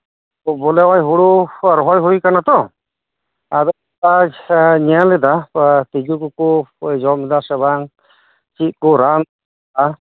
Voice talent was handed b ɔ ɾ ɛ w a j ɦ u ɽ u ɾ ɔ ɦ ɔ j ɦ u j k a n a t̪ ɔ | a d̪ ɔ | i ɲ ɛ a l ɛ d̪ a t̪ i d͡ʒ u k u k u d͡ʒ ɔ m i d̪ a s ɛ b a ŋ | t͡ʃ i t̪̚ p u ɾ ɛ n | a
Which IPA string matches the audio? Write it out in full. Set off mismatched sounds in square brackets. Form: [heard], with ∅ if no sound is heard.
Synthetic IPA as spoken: b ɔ [l] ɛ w a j ɦ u ɽ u ɾ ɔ ɦ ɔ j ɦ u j k a n a t̪ ɔ | a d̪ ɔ | [a] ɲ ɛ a l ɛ d̪ a t̪ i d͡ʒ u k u k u d͡ʒ ɔ m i d̪ a s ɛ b a ŋ | t͡ʃ i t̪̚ [k] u ɾ [a] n | a